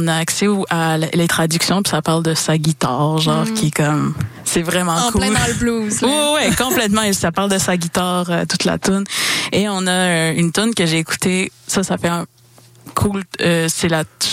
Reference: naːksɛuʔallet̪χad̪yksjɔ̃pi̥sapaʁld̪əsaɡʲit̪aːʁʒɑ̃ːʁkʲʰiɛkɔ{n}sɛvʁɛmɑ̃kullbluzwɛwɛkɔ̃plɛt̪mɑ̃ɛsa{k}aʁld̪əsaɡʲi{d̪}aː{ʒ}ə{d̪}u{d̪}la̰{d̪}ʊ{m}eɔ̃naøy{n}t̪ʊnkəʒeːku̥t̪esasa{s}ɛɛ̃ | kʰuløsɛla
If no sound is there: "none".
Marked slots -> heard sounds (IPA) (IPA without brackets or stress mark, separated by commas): m, p, t̪, ʁ, t̪, t̪, t̪, n, n, f